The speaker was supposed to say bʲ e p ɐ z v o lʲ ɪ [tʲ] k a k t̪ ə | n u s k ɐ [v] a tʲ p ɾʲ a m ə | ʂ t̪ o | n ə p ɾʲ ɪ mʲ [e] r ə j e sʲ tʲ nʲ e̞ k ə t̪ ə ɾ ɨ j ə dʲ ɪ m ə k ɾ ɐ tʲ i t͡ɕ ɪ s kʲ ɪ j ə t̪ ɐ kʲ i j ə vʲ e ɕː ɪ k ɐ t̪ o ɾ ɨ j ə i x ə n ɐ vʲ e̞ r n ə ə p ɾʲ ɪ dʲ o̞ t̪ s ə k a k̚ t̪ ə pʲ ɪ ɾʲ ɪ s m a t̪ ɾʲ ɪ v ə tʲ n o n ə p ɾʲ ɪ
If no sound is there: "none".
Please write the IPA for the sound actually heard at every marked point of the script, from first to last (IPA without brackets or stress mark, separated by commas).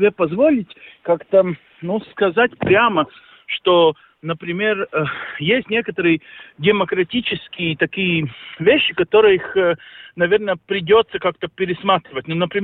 tʲ, z, e